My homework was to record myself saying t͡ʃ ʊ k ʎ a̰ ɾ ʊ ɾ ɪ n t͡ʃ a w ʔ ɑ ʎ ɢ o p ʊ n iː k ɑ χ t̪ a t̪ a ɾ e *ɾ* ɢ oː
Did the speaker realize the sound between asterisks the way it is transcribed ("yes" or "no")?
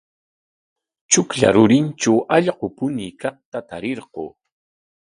yes